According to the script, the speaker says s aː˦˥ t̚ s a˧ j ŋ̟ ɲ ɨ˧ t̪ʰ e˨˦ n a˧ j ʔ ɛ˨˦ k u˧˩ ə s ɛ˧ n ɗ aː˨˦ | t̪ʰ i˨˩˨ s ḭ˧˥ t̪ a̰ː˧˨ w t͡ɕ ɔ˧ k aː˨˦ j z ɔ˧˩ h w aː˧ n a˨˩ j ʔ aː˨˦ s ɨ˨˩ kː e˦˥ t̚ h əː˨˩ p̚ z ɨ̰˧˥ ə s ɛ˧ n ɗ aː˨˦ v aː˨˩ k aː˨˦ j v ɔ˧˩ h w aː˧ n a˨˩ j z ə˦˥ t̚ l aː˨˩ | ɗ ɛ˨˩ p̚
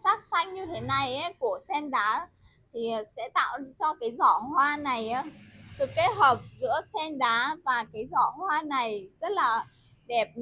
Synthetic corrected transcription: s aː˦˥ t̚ s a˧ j ŋ̟ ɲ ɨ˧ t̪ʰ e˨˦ n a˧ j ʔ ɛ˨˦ k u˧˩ ə s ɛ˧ n ɗ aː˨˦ | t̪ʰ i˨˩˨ s ɛ̰˧˥ t̪ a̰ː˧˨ w t͡ɕ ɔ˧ k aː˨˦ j z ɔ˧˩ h w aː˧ n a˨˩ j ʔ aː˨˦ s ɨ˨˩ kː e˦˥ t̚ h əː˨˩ p̚ z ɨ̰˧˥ ə s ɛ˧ n ɗ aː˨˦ v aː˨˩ k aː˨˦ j z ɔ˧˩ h w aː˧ n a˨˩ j z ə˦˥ t̚ l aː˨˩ | ɗ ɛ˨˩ p̚

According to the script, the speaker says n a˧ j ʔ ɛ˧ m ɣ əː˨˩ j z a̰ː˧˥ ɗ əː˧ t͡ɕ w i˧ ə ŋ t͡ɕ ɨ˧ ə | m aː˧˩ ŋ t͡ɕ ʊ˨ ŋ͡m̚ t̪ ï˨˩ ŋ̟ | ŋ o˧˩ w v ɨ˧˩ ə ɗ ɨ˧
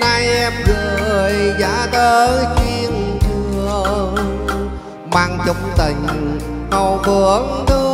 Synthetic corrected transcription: n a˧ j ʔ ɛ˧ m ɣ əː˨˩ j z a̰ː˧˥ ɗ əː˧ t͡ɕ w i˧ ə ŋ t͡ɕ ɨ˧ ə | m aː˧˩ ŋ t͡ɕ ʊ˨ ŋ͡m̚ t̪ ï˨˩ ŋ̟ | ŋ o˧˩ w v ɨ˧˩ ə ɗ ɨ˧

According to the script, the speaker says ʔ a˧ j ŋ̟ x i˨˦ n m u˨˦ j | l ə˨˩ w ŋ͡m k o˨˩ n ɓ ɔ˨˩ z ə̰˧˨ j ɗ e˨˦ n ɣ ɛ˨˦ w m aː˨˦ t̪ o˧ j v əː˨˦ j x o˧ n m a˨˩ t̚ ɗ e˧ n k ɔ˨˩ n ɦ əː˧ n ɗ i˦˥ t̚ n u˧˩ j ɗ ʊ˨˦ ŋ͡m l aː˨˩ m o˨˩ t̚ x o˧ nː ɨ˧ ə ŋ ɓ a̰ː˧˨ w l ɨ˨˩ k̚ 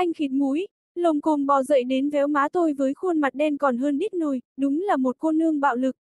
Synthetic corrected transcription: ʔ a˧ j ŋ̟ x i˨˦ n m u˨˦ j | l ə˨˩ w ŋ͡m k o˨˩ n ɓ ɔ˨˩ z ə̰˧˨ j ɗ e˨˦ n v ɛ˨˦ w m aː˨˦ t̪ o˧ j v əː˨˦ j x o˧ n m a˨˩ t̚ ɗ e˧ n k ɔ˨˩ n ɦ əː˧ n ɗ i˦˥ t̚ n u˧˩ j ɗ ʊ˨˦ ŋ͡m l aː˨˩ m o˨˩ t̚ x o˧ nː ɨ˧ ə ŋ ɓ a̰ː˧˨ w l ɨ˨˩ k̚

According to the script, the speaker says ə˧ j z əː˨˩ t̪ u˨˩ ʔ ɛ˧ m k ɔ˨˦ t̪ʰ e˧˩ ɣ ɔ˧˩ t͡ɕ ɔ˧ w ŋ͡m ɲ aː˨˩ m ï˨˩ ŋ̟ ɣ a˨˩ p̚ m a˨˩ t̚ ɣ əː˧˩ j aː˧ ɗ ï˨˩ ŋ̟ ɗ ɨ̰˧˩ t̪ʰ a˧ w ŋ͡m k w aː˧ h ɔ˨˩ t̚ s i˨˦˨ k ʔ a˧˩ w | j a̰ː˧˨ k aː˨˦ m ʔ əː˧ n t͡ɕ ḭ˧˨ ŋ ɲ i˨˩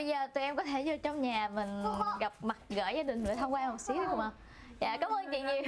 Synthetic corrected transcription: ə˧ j z əː˨˩ t̪ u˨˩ ʔ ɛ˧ m k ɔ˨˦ t̪ʰ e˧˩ z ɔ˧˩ t͡ɕ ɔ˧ w ŋ͡m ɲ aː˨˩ m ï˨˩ ŋ̟ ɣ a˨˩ p̚ m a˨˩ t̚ ɣ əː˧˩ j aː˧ ɗ ï˨˩ ŋ̟ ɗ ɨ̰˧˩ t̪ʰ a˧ w ŋ͡m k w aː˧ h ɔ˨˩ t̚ s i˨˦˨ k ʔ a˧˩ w | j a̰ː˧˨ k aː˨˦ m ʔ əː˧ n t͡ɕ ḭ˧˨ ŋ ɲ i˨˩

